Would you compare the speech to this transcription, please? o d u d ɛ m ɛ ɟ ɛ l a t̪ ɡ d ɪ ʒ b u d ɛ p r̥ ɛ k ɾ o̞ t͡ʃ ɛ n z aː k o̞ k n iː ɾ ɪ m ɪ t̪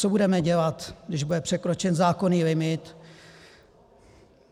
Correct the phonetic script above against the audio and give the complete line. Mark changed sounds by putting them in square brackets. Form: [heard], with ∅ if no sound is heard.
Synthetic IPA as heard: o [b] u d ɛ m ɛ ɟ ɛ l a t̪ ɡ d ɪ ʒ b u d ɛ p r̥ ɛ k ɾ o̞ t͡ʃ ɛ n z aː k o̞ [∅] n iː [l] ɪ m ɪ t̪

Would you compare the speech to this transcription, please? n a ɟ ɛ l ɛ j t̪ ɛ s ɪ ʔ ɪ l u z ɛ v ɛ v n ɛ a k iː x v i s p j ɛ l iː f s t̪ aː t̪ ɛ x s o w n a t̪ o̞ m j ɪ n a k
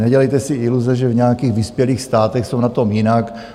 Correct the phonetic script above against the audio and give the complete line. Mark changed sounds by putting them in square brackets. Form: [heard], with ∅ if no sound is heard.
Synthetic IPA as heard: n [ɛ] ɟ ɛ l ɛ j t̪ ɛ s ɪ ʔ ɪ l u z ɛ [ʒ] ɛ v [ɲ] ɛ a k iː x v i s p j ɛ l iː [x] s t̪ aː t̪ ɛ x s o w n a t̪ o̞ m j ɪ n a k

